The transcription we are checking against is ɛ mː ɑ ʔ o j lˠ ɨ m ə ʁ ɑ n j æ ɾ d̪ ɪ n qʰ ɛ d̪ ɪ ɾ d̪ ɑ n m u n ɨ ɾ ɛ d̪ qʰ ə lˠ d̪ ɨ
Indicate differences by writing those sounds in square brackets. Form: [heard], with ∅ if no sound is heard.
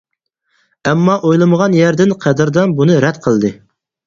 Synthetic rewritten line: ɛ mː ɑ ʔ o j lˠ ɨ m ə ʁ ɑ n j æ ɾ d̪ ɪ n qʰ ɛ d̪ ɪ ɾ d̪ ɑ n [b] u n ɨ ɾ ɛ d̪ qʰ ə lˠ d̪ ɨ